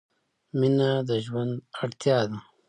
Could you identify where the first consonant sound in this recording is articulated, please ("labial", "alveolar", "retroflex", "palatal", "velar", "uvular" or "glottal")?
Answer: labial